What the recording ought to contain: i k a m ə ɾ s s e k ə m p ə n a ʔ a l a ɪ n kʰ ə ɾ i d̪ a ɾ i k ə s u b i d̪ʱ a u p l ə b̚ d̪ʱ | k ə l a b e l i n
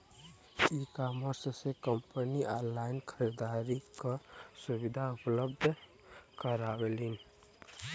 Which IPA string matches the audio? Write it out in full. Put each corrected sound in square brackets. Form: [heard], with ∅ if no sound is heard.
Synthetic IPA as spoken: i k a m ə ɾ s s e k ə m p ə n [i] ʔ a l a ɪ n kʰ ə ɾ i d̪ a ɾ i k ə s u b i d̪ʱ a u p l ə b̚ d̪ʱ | k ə [ɾ] a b e l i n